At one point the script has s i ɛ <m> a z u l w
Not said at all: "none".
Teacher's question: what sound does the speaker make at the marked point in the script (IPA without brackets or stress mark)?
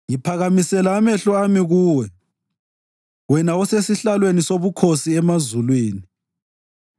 m